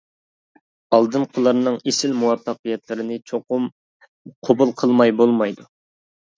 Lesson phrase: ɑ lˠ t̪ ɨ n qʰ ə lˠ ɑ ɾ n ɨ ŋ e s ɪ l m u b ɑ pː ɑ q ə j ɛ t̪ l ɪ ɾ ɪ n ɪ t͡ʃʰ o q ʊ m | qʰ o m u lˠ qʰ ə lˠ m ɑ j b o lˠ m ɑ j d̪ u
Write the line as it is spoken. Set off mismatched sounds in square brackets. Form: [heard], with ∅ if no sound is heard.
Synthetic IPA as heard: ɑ lˠ [d̪] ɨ n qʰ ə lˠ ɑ ɾ n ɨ ŋ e s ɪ l m u [w] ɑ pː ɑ q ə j ɛ t̪ l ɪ ɾ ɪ n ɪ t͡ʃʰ o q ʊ m | qʰ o [b] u lˠ qʰ ə lˠ m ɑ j b o lˠ m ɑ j d̪ u